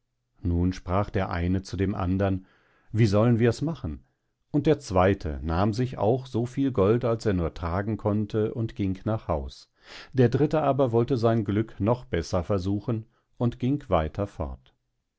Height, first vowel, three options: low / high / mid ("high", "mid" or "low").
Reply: high